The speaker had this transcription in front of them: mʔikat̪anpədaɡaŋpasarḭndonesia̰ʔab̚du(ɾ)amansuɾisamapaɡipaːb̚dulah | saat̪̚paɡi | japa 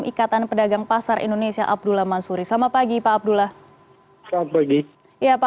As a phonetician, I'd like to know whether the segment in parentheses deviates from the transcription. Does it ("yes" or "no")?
yes